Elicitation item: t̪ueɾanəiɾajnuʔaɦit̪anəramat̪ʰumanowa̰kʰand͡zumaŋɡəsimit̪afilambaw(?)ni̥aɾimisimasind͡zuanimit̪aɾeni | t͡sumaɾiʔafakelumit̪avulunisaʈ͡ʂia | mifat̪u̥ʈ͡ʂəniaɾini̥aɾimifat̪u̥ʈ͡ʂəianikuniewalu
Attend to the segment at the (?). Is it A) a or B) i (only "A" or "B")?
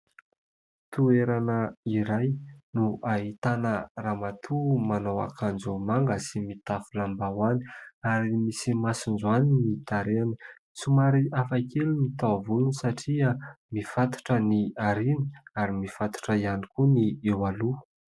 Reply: A